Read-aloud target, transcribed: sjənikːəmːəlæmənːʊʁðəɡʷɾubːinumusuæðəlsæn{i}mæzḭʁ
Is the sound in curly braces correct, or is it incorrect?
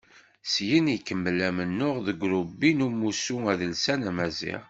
incorrect